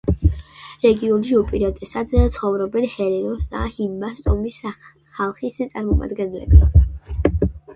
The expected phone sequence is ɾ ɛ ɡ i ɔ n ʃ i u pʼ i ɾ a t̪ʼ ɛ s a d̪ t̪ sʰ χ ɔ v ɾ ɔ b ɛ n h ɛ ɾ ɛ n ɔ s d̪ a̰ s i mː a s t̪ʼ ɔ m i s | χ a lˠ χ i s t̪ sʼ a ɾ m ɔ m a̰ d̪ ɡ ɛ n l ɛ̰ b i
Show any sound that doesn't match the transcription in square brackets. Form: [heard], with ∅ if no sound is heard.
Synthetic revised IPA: ɾ ɛ ɡ i ɔ n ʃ i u pʼ i ɾ a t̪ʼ ɛ s a d̪ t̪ sʰ χ ɔ v ɾ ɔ b ɛ n h ɛ ɾ ɛ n ɔ s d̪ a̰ [h] i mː a s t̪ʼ ɔ m i s | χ a lˠ χ i s t̪ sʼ a ɾ m ɔ m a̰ d̪ ɡ ɛ n l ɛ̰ b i